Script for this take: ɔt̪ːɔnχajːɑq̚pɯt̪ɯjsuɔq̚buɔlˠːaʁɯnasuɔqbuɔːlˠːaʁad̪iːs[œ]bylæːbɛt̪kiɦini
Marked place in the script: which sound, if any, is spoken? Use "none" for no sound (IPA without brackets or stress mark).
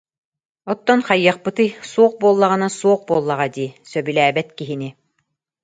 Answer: œ